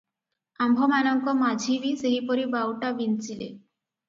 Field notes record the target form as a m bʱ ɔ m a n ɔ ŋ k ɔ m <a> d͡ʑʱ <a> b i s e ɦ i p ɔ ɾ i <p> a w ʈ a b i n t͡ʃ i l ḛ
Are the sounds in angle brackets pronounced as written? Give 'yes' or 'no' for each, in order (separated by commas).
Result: yes, no, no